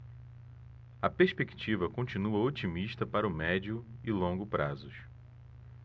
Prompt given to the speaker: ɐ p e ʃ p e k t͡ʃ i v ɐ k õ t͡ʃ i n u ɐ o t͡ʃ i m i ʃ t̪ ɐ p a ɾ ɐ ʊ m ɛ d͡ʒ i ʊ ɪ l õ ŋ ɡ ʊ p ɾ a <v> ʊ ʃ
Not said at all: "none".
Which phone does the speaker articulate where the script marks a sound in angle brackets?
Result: z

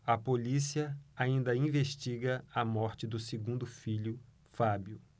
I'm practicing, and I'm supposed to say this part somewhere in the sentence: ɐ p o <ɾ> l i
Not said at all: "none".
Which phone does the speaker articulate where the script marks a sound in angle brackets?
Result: none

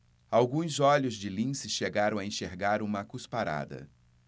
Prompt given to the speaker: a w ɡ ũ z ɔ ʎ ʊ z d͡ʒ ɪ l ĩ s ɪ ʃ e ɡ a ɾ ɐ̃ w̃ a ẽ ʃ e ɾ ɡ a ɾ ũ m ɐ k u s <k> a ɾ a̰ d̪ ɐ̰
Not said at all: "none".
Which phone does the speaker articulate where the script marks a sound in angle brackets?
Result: p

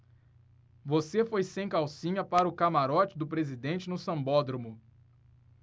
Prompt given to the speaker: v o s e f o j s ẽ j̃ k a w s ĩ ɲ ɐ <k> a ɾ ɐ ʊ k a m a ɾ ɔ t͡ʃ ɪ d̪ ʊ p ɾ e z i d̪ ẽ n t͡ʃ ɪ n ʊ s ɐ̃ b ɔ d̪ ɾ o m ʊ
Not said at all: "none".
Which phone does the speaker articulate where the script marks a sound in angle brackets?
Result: p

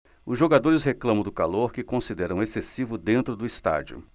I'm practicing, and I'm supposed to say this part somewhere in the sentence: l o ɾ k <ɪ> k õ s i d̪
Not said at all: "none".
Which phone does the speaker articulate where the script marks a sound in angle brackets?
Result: ɪ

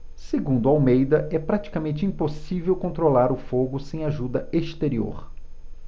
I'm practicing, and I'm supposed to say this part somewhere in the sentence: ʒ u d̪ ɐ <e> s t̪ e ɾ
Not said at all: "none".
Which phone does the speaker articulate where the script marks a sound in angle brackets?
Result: e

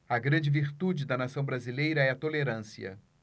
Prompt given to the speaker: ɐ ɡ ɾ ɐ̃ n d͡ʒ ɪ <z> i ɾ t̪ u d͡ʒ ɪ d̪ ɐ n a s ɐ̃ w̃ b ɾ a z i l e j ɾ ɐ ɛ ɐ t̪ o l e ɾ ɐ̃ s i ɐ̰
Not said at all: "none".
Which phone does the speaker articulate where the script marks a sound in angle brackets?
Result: v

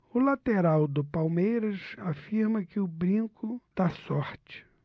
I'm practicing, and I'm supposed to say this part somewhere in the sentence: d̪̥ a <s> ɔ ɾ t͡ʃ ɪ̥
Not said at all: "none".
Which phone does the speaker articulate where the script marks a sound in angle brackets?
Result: s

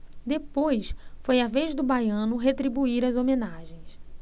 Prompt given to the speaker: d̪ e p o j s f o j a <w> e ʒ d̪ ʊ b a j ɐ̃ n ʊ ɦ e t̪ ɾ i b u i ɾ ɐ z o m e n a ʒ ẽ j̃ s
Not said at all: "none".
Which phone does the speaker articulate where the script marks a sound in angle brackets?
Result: v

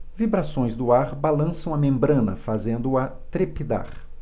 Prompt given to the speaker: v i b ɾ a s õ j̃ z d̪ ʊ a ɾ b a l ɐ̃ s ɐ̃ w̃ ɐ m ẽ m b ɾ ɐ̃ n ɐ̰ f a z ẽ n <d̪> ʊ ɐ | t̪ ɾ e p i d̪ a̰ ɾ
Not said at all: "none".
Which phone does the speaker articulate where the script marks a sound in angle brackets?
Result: d̪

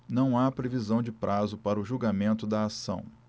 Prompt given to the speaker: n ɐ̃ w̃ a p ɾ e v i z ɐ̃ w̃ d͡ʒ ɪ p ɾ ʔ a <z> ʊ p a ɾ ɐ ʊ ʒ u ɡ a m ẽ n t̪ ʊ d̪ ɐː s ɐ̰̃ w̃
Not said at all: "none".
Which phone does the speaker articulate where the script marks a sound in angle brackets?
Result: z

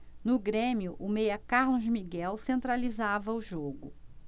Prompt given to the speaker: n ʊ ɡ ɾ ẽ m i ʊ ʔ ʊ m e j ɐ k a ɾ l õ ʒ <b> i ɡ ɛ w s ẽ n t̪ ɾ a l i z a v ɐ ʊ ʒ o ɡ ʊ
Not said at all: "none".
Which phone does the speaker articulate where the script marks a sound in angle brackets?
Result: m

